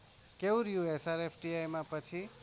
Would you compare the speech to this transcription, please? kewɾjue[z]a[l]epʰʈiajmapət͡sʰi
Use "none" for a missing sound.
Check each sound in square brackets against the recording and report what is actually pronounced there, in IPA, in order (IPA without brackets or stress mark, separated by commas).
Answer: s, ɾ